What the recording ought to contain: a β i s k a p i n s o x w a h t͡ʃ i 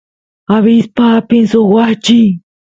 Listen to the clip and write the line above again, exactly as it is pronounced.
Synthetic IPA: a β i s p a p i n s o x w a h t͡ʃ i

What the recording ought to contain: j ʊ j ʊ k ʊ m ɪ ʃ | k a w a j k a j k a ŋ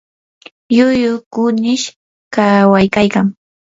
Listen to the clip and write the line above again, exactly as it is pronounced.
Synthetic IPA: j ʊ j ʊ k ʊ n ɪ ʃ | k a w a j k a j k a ŋ

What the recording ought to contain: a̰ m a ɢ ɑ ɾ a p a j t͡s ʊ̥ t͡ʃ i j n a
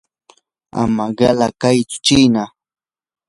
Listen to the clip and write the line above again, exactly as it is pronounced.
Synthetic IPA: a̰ m a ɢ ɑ l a k a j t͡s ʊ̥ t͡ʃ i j n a

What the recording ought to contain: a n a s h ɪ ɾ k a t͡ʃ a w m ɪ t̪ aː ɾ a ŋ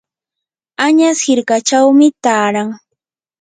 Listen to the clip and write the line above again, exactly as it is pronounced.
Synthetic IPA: a ɲ a s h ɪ ɾ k a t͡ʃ a w m ɪ t̪ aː ɾ a ŋ

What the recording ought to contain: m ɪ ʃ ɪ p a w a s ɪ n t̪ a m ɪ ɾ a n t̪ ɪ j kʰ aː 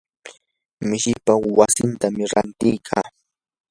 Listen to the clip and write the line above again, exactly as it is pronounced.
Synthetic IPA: m ɪ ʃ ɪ p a w a s ɪ n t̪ a m ɪ ɾ a n t̪ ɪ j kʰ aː

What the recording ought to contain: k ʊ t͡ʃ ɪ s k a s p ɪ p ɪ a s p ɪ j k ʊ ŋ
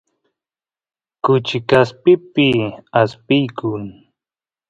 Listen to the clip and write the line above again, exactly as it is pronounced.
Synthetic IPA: k ʊ t͡ʃ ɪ k a s p ɪ p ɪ a s p ɪ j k ʊ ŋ

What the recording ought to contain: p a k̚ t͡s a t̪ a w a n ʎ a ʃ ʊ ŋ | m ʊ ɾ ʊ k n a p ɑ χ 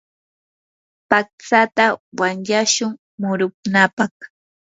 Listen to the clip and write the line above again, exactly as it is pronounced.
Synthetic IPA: p a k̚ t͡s a t̪ a w a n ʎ a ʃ ʊ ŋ | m ʊ ɾ ʊ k n a p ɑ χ

